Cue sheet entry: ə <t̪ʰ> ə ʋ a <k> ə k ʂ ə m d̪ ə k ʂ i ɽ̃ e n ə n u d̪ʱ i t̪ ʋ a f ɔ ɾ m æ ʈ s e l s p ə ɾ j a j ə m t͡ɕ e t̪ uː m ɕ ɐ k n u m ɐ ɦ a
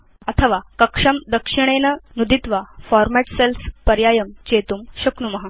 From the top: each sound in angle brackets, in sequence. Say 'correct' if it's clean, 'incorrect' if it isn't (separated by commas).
correct, correct